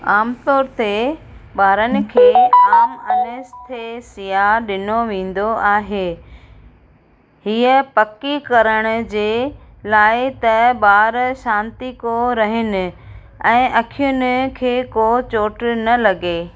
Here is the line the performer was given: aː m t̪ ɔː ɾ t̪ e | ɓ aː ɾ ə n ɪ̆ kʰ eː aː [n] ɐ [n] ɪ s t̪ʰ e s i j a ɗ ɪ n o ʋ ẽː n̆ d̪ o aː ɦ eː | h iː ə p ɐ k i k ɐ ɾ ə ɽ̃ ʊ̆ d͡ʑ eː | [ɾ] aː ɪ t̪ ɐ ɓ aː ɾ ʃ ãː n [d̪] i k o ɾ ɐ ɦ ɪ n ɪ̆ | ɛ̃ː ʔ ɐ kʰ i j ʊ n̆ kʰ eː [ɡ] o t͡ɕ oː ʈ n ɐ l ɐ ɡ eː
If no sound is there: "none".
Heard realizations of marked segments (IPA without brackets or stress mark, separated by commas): m, n, l, t̪, k